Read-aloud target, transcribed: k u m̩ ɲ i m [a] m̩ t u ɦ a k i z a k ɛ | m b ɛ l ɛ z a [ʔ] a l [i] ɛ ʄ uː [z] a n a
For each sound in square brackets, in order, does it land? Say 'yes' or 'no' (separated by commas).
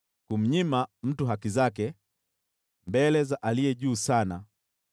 yes, yes, yes, no